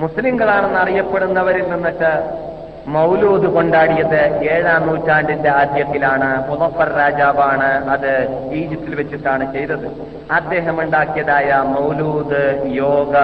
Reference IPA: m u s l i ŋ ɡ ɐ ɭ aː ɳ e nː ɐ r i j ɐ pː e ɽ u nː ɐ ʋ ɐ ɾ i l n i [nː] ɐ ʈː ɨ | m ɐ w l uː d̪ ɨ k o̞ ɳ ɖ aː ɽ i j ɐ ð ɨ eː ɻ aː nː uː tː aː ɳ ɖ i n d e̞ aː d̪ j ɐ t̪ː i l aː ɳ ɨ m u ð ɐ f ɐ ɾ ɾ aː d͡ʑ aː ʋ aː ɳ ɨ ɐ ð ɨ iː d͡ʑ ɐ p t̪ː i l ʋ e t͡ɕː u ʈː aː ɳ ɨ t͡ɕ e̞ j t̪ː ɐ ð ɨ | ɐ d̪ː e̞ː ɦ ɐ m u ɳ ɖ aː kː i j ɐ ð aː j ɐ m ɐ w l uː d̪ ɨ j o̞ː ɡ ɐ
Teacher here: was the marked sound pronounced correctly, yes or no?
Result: yes